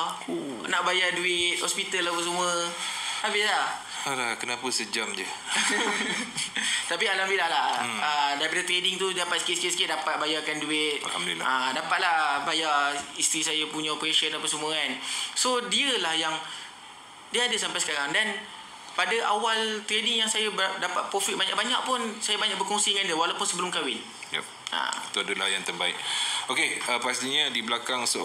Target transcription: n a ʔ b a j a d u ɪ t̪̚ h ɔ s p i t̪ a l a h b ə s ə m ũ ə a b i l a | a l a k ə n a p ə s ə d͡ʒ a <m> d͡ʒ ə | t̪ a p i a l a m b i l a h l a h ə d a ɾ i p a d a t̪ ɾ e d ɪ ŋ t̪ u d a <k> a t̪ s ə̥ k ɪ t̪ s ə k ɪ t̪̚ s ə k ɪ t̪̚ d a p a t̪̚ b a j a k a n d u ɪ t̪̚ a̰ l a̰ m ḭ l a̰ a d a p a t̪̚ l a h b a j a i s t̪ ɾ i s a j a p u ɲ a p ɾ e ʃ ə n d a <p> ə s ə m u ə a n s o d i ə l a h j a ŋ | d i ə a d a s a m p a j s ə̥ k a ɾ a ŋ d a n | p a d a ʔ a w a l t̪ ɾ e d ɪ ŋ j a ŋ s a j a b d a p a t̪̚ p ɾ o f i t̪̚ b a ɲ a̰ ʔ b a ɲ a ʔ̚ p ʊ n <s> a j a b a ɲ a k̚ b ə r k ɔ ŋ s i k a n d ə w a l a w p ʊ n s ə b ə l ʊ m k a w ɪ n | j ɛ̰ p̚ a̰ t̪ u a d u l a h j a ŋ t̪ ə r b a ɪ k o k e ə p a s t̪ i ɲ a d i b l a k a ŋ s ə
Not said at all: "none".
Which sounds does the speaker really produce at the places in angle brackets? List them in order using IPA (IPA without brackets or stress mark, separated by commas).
m, p, p, s